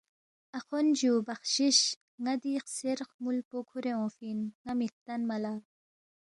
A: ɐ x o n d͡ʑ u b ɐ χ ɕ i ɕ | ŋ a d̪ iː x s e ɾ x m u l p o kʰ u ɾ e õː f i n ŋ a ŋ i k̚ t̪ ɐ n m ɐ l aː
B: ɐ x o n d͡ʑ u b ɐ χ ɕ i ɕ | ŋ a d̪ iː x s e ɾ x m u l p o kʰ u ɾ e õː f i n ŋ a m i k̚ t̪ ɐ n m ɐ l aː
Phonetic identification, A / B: B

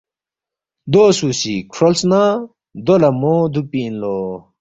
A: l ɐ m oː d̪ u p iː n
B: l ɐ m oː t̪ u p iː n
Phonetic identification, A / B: A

